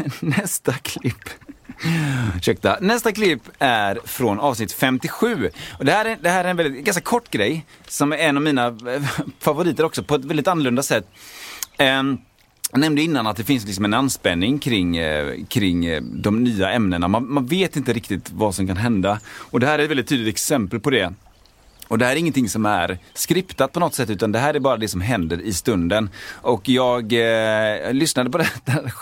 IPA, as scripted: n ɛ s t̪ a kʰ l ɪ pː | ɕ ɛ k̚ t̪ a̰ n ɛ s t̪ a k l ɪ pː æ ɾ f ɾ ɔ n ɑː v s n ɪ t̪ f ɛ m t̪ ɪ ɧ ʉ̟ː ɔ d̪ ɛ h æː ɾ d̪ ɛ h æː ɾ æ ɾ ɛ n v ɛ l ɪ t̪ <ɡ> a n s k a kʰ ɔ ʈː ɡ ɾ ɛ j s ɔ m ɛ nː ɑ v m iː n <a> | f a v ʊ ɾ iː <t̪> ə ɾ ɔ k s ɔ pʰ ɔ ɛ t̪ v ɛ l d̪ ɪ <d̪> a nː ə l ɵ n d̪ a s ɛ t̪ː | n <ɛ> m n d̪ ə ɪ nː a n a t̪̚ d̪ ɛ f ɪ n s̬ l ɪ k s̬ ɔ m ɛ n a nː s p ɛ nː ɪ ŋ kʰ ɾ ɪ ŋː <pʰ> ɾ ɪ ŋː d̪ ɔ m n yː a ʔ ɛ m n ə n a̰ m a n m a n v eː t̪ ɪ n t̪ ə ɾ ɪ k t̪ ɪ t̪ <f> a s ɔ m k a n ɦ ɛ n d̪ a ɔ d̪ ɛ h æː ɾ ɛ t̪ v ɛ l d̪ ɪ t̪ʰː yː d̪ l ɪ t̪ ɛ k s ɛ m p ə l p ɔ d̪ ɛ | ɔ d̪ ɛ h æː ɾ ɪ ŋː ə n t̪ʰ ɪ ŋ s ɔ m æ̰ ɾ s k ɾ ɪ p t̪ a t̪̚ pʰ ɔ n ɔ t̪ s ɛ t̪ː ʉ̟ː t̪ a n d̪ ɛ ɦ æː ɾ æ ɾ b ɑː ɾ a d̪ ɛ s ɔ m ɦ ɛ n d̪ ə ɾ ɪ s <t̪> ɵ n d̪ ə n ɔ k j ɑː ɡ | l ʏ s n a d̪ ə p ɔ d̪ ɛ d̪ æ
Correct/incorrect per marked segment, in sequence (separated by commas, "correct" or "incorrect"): correct, correct, correct, incorrect, correct, incorrect, incorrect, correct